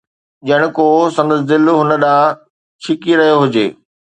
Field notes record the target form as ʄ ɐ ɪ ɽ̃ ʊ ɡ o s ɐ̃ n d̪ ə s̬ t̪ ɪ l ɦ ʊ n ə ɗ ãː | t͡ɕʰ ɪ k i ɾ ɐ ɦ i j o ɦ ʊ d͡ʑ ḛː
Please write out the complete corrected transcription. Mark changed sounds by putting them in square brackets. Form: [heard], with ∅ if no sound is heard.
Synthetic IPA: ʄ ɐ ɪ ɽ̃ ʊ [k] o s ɐ̃ n d̪ ə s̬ [d̪] ɪ l ɦ ʊ n ə ɗ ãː | t͡ɕʰ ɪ k i ɾ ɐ ɦ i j o ɦ ʊ d͡ʑ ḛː